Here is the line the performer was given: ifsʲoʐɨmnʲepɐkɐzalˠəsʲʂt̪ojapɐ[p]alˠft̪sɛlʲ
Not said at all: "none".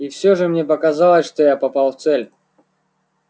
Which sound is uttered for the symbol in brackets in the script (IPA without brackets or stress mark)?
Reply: p